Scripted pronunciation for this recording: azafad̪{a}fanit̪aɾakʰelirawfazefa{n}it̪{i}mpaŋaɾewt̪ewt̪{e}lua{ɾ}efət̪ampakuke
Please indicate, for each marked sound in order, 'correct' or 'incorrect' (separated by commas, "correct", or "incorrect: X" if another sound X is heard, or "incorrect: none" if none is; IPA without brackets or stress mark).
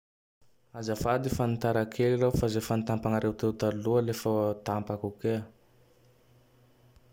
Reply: incorrect: i, correct, incorrect: a, incorrect: a, incorrect: l